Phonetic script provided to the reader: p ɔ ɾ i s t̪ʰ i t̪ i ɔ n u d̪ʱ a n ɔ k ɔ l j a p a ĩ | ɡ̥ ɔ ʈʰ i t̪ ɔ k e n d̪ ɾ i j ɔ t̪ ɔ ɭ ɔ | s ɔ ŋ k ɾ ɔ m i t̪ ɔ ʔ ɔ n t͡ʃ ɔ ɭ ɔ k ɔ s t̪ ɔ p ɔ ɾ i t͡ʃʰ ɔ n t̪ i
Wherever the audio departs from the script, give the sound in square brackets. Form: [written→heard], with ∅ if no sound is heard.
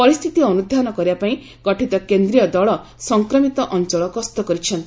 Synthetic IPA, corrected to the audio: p ɔ ɾ i s t̪ʰ i t̪ i ɔ n u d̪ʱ a n ɔ k ɔ [l→ɾ] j a p a ĩ | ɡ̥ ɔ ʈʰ i t̪ ɔ k e n d̪ ɾ i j ɔ [t̪→d̪] ɔ ɭ ɔ | s ɔ ŋ k ɾ ɔ m i t̪ ɔ ʔ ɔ n t͡ʃ ɔ ɭ ɔ k ɔ s t̪ ɔ [p→k] ɔ ɾ i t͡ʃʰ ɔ n t̪ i